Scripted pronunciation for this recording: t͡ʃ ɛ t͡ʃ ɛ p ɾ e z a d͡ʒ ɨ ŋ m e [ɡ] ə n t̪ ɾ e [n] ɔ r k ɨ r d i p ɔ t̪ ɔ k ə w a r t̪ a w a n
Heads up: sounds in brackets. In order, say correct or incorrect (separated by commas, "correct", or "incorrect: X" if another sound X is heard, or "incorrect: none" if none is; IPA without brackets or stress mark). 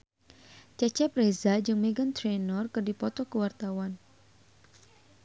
correct, correct